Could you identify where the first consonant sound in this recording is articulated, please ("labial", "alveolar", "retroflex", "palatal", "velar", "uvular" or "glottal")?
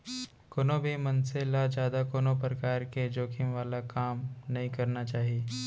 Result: velar